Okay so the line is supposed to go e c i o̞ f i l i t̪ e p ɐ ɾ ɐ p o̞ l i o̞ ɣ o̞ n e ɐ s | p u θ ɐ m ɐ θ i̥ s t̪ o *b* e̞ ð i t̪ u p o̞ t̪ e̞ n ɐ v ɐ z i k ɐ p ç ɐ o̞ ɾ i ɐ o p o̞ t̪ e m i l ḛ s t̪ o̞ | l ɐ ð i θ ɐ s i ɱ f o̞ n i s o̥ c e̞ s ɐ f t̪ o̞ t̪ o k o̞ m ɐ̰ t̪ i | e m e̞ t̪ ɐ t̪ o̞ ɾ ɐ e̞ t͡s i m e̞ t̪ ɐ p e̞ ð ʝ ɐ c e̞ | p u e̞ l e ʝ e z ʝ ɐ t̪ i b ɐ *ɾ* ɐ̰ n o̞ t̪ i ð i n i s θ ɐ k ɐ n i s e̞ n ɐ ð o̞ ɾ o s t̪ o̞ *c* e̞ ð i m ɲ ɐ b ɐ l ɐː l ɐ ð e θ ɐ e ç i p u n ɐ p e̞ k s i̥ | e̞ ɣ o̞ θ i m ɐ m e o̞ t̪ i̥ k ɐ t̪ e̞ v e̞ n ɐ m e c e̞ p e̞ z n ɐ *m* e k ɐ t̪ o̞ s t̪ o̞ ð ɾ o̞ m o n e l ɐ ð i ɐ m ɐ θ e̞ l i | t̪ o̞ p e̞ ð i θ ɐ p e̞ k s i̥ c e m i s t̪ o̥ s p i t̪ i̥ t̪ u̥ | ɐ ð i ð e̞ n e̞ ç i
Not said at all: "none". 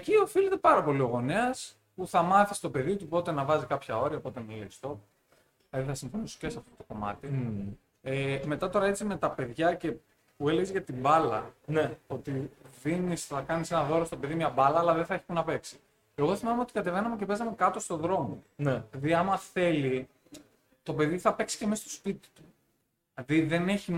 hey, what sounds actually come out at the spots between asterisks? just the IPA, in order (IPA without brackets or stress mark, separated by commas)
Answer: p, l, p, m